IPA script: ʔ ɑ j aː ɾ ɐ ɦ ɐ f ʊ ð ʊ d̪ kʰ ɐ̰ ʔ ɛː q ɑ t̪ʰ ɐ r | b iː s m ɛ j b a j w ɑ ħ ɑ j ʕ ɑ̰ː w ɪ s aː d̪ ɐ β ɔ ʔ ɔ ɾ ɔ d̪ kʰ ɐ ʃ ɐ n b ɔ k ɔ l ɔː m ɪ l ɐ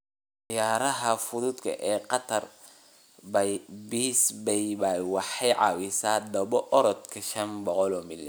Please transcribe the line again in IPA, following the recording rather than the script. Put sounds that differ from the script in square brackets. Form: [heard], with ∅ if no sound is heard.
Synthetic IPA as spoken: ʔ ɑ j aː ɾ ɐ ɦ ɐ f ʊ ð ʊ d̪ kʰ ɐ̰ ʔ ɛː q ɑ t̪ʰ ɐ r | b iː s [b] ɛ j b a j w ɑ ħ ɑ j ʕ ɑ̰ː w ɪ s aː d̪ ɐ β ɔ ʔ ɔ ɾ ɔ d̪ kʰ ɐ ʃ ɐ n b ɔ [q] ɔ l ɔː m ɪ l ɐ